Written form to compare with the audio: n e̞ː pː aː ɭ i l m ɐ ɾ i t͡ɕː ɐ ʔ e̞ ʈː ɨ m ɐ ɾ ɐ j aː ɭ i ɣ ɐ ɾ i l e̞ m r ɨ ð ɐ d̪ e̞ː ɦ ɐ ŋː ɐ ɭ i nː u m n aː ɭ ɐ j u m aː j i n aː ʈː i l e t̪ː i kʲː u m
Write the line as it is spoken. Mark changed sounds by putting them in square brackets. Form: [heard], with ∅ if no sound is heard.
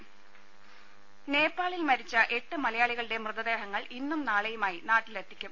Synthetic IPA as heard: n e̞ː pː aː ɭ i l m ɐ ɾ i t͡ɕː ɐ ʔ e̞ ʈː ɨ m ɐ [l] ɐ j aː ɭ i ɣ ɐ [ɭ] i [ɽ] e̞ m r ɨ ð ɐ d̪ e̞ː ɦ ɐ ŋː ɐ ɭ i nː u m n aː ɭ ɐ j u m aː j i n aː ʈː i l e t̪ː i kʲː u m